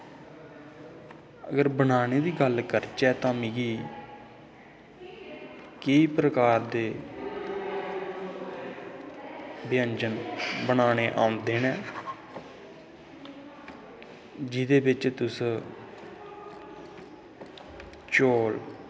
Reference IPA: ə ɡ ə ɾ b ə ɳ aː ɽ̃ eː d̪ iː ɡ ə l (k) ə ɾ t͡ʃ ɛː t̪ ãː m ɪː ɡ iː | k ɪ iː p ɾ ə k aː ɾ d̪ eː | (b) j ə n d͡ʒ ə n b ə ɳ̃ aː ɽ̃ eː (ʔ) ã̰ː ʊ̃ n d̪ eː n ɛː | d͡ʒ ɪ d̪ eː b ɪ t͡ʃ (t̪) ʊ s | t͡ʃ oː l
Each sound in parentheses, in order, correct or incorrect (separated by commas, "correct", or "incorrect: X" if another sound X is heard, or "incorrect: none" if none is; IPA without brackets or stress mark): correct, correct, correct, correct